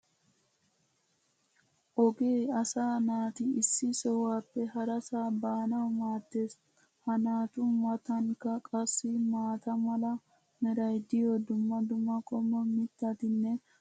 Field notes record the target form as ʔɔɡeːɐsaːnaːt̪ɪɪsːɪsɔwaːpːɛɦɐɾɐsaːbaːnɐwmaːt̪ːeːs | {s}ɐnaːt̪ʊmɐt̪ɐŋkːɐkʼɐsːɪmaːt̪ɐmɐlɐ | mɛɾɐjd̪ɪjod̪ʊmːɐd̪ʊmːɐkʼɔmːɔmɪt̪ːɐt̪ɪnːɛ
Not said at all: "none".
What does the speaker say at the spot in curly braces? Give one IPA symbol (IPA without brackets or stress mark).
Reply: h